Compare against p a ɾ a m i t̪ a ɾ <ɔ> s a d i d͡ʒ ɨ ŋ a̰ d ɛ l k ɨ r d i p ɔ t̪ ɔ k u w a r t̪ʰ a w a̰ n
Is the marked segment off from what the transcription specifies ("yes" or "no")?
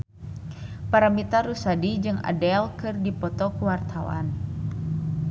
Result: yes